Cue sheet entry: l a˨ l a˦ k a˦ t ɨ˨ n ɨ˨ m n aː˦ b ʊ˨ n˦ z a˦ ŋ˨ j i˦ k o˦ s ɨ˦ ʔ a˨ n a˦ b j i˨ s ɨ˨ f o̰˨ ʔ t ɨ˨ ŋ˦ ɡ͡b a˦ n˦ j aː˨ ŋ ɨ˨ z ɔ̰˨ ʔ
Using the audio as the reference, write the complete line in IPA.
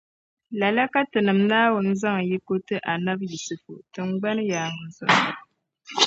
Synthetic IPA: l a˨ l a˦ k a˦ t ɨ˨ n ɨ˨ m n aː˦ w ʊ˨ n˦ z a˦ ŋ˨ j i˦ k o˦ t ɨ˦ ʔ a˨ n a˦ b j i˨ s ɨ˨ f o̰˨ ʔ t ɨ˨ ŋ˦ ɡ͡b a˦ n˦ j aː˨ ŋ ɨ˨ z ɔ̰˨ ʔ